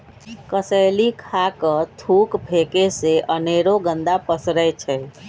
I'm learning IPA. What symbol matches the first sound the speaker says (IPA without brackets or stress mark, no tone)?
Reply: k